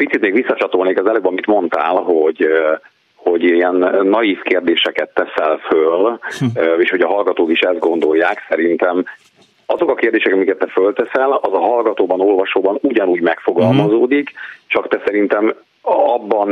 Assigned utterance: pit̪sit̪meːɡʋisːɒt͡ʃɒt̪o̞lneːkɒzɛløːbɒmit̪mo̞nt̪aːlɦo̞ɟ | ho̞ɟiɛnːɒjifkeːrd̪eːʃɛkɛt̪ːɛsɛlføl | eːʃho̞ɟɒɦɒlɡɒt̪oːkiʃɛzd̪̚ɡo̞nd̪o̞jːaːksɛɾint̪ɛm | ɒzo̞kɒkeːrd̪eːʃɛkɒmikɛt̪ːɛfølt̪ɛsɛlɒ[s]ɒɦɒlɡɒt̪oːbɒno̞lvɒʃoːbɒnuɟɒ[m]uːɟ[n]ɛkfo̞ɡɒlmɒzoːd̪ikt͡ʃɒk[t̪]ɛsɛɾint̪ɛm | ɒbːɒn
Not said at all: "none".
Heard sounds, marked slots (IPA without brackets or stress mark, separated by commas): z, n, m, t̪